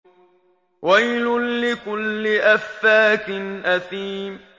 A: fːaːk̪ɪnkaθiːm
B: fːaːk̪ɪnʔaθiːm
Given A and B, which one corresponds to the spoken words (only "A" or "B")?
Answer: B